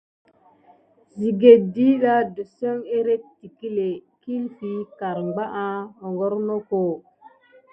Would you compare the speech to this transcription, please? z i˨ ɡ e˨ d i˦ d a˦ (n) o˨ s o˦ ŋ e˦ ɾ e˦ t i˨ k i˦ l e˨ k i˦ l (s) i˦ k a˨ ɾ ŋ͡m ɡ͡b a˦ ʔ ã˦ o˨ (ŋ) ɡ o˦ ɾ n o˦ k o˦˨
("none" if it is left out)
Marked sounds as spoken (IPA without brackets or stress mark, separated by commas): d, f, ŋ